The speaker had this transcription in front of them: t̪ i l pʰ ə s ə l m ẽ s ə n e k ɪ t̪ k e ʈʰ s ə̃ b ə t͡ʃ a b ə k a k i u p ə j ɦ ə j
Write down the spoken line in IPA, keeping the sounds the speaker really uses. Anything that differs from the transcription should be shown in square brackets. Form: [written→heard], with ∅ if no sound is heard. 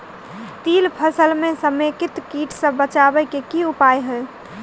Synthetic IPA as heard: t̪ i l pʰ ə s ə l m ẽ s ə [n→m] e k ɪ t̪ k [e→i] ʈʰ s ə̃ b ə t͡ʃ a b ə k [a→e] k i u p [ə→a] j ɦ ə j